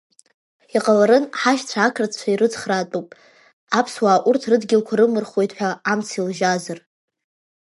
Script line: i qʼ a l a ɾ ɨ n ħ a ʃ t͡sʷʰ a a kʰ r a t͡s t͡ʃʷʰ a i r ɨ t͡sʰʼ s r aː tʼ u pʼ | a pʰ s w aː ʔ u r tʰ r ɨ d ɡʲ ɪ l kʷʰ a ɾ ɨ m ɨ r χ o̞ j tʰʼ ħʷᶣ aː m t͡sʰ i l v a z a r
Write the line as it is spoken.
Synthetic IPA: i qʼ a l a ɾ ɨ n ħ a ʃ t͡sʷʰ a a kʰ r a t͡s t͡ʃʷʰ a i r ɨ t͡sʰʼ χ r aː tʼ u pʼ | a pʰ s w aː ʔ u r tʰ r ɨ d ɡʲ ɪ l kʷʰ a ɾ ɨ m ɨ r χ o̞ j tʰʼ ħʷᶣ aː m t͡sʰ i l ʒ a z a r